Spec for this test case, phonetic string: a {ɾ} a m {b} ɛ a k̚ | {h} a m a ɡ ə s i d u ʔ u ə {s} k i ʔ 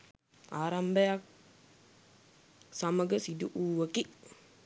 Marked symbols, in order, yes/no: yes, yes, no, no

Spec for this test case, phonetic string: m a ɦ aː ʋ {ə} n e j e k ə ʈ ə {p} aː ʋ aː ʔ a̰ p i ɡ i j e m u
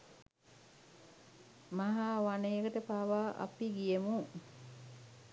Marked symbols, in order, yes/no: no, yes

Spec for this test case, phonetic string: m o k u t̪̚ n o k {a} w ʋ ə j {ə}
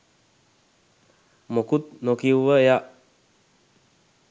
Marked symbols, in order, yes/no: no, no

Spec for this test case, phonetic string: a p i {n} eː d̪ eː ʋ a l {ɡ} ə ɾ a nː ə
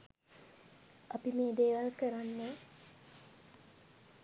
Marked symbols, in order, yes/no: no, no

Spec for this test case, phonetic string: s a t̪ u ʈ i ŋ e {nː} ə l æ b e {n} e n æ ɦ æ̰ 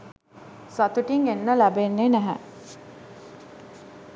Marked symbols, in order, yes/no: yes, no

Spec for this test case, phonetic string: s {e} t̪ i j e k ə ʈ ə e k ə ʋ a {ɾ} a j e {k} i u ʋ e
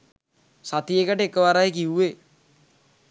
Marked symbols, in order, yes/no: no, yes, yes

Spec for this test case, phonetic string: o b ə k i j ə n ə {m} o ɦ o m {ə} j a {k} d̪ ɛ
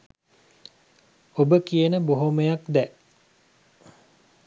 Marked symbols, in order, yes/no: no, yes, yes

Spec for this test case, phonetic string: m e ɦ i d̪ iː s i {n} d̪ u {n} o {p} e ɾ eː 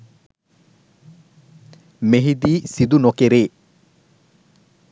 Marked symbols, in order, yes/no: no, yes, no

